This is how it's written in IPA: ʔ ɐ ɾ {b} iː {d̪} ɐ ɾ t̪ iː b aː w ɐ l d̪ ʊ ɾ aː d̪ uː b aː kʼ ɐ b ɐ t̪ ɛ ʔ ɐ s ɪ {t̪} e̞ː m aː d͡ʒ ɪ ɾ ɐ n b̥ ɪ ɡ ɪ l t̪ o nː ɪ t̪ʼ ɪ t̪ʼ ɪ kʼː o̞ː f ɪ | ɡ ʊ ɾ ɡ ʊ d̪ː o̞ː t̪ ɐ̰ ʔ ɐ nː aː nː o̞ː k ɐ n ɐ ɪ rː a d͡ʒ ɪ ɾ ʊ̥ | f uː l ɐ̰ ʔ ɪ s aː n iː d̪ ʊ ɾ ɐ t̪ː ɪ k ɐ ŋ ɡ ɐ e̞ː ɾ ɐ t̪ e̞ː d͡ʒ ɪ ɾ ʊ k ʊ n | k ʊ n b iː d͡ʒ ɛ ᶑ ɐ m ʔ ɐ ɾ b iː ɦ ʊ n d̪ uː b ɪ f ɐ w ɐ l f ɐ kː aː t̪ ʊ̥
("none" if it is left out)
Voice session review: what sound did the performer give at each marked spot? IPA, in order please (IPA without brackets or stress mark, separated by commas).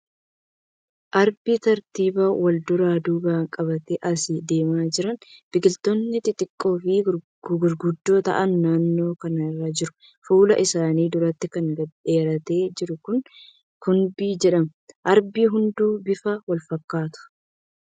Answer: b, t̪, d̪